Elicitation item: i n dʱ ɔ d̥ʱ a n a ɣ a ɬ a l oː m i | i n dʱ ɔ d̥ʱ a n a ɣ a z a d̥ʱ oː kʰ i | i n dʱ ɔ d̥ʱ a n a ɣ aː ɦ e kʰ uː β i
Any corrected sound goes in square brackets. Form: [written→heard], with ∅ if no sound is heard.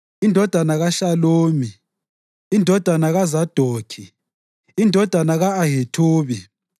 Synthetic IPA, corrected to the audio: i n dʱ ɔ d̥ʱ a n a ɣ a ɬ a l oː m i | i n dʱ ɔ d̥ʱ a n a ɣ a z a d̥ʱ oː kʰ i | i n dʱ ɔ d̥ʱ a n a ɣ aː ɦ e [kʰ→tʰ] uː β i